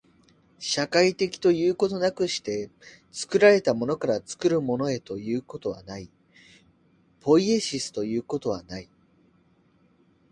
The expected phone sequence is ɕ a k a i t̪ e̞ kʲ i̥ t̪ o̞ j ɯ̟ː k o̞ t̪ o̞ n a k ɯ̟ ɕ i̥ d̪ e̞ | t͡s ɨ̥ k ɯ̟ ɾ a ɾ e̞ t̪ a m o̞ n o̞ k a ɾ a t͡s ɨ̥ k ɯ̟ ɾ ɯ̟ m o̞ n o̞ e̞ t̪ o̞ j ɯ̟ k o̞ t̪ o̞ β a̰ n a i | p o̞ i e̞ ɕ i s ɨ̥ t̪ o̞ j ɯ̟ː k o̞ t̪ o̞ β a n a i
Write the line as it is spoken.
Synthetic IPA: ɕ a k a i t̪ e̞ kʲ i̥ t̪ o̞ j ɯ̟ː k o̞ t̪ o̞ n a k ɯ̟ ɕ i̥ t̪ e̞ | t͡s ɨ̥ k ɯ̟ ɾ a ɾ e̞ t̪ a m o̞ n o̞ k a ɾ a t͡s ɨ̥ k ɯ̟ ɾ ɯ̟ m o̞ n o̞ e̞ t̪ o̞ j ɯ̟ː k o̞ t̪ o̞ β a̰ n a i | p o̞ i e̞ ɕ i s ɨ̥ t̪ o̞ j ɯ̟ː k o̞ t̪ o̞ β a n a i